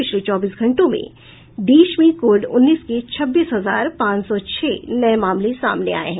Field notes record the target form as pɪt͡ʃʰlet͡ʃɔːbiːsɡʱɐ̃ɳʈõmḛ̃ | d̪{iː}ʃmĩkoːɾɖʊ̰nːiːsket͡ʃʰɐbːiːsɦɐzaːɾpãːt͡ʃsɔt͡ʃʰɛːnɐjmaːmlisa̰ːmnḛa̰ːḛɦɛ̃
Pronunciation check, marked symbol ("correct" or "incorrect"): correct